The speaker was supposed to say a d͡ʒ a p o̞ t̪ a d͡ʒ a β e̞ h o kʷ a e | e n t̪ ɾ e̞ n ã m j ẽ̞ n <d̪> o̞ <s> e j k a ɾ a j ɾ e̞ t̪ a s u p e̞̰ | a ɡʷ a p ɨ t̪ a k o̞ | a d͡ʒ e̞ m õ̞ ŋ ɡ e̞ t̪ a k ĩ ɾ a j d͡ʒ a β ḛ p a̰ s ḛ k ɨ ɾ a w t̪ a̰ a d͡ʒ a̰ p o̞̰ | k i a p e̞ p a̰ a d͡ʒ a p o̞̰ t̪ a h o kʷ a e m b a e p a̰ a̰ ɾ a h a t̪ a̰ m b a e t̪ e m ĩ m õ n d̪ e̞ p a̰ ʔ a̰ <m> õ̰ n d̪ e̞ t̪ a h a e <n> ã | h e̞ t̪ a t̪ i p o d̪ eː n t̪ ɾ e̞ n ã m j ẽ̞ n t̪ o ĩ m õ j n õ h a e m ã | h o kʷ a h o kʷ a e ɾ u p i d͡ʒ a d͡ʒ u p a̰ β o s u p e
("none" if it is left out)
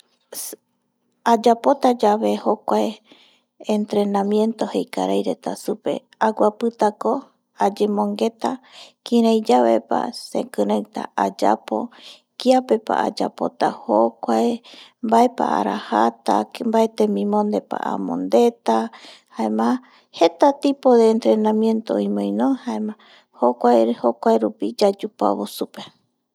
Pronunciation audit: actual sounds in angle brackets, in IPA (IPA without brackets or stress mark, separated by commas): t̪, h, m, m